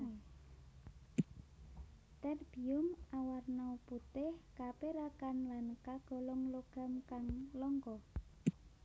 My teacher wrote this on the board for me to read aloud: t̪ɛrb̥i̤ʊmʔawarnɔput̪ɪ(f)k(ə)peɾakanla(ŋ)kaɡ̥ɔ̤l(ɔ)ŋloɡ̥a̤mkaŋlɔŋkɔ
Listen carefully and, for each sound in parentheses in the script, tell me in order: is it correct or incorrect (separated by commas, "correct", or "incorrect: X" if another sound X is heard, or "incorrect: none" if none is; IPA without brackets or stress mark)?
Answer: incorrect: h, incorrect: a, incorrect: n, correct